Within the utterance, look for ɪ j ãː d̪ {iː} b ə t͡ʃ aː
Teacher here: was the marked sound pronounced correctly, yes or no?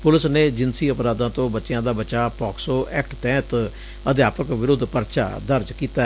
no